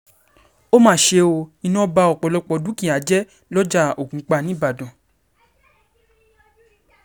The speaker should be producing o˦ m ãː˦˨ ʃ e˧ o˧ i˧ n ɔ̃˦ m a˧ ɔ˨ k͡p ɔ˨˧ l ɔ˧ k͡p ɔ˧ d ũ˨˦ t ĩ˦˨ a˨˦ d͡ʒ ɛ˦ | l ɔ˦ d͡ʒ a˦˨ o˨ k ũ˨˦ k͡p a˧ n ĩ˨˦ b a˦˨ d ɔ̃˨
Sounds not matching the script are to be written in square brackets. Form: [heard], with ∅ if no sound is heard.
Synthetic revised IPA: o˦ m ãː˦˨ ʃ e˧ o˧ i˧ n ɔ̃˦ [b] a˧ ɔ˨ k͡p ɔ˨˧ l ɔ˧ k͡p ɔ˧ d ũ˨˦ [k] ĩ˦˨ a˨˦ d͡ʒ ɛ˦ | l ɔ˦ d͡ʒ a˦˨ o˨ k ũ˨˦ k͡p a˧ n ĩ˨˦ b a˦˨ d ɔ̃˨

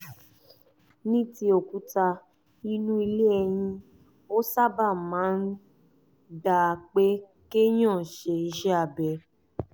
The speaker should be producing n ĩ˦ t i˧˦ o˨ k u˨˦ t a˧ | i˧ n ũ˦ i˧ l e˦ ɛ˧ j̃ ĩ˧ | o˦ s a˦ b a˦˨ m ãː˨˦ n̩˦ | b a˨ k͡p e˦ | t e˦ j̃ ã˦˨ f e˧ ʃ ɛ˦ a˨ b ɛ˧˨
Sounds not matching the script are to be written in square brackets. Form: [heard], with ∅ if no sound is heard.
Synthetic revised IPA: n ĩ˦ t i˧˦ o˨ k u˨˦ t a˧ | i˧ n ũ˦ i˧ l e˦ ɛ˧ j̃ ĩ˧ | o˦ s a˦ b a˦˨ m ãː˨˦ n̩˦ | [d] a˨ k͡p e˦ | [k] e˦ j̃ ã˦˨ [ʃ] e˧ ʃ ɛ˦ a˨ b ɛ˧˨

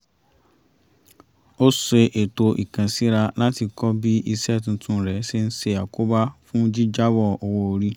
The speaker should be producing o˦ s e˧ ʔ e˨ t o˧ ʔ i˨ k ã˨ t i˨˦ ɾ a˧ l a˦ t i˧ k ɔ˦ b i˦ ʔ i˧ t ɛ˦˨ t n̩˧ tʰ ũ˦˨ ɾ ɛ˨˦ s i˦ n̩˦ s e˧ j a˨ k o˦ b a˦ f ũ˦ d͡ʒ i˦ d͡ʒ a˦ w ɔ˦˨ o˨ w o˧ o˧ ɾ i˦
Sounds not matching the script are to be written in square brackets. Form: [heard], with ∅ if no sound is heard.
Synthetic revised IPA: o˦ s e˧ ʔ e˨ t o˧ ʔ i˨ k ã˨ [s] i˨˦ ɾ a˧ l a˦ t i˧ k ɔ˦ b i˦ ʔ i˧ [s] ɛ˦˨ t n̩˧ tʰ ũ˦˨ ɾ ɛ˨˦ s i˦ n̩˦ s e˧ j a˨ k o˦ b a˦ f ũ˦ d͡ʒ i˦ d͡ʒ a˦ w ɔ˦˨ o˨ w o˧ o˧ ɾ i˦

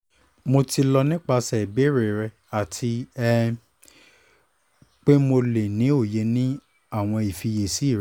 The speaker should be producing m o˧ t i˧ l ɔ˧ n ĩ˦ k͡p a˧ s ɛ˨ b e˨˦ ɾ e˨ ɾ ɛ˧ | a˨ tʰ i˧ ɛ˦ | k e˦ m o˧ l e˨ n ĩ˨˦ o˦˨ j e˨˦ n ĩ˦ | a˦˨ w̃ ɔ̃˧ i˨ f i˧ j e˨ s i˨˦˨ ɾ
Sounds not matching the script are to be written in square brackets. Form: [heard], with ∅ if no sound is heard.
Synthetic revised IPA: m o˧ t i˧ l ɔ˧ n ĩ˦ k͡p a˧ s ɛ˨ b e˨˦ ɾ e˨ ɾ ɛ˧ | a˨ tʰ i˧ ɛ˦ | [k͡p] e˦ m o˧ l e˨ n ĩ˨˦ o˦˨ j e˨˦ n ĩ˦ | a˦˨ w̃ ɔ̃˧ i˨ f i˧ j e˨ s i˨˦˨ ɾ

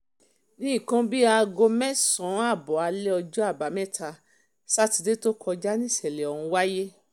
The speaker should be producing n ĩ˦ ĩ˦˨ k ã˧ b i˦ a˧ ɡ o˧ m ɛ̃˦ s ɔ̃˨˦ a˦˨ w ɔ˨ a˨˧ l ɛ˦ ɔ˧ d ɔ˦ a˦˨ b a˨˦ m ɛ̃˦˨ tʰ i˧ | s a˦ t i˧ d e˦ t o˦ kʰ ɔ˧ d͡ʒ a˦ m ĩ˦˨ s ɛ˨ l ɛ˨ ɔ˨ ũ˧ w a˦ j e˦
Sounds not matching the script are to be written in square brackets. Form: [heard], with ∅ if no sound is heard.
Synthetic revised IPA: n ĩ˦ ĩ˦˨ k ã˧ b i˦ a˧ ɡ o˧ m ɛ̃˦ s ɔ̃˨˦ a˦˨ [b] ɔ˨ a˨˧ l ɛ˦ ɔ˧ [d͡ʒ] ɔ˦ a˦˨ b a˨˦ m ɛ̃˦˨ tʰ [a˧] | s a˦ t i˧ d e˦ t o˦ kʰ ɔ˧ d͡ʒ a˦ [n] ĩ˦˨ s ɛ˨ l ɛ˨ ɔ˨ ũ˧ w a˦ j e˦

